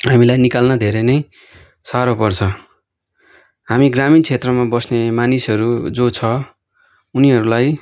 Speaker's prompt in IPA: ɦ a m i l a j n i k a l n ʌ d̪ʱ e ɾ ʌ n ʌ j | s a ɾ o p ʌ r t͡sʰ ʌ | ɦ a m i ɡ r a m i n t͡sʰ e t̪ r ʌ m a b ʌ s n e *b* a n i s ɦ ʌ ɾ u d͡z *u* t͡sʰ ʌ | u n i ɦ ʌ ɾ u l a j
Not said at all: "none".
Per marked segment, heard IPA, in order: m, o

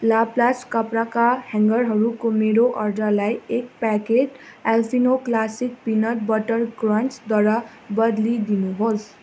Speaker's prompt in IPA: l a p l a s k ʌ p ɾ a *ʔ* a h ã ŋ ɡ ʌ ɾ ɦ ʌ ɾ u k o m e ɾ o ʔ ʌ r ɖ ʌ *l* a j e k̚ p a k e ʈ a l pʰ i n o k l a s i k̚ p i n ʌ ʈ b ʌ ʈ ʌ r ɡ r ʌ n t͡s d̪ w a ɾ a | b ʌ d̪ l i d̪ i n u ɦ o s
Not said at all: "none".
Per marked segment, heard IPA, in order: k, l

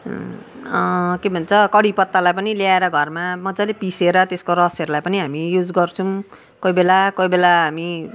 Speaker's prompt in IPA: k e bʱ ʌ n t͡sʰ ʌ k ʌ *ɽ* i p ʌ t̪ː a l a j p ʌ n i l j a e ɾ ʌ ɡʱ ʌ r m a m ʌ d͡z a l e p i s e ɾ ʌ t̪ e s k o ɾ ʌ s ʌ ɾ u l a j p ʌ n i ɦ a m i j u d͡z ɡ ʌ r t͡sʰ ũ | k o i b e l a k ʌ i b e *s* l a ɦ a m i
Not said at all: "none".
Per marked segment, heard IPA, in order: ɽ, none

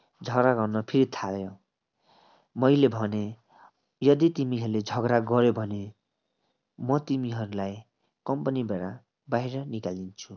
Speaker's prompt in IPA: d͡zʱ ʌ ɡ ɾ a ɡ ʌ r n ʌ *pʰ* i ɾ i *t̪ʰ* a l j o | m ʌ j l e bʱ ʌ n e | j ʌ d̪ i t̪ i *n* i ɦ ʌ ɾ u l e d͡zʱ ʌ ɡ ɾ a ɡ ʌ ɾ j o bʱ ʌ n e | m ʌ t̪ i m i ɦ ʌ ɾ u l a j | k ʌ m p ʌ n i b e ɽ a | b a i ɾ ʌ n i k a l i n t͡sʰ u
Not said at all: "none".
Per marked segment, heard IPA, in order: pʰ, t̪ʰ, m

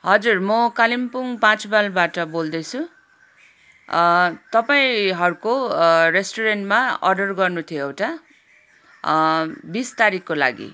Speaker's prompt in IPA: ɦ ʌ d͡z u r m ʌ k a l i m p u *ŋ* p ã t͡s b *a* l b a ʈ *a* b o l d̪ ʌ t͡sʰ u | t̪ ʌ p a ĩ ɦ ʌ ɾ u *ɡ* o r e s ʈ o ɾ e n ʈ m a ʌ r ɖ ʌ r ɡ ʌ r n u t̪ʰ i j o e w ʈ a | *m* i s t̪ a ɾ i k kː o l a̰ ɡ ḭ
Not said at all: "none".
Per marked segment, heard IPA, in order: ŋ, a, ʌ, k, b

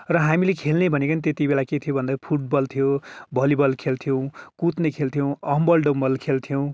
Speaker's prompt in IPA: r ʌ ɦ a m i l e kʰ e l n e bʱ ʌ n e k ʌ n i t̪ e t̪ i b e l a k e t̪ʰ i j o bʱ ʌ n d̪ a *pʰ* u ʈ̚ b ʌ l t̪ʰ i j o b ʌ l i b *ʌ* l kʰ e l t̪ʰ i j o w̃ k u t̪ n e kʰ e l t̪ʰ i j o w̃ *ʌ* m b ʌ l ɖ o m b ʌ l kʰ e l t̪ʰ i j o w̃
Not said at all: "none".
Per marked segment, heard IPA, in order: pʰ, ʌ, ʌ

